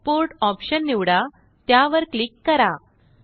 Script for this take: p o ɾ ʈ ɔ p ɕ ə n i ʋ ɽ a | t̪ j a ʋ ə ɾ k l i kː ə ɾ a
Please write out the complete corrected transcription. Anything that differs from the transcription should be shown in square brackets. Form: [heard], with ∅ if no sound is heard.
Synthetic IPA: p o ɾ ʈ ɔ p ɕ ə [nː] i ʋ ɽ a | t̪ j a ʋ ə ɾ k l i kː ə ɾ a